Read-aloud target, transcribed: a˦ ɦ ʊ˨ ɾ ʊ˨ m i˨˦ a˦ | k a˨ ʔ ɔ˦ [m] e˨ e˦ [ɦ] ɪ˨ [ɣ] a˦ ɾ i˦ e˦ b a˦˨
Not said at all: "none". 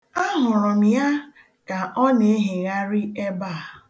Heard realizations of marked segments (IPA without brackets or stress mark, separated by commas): n, ɦ, ɣ